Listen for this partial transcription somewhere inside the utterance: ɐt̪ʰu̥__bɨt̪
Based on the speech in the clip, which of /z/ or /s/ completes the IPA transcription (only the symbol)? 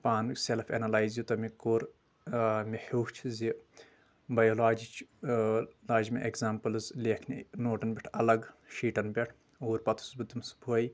s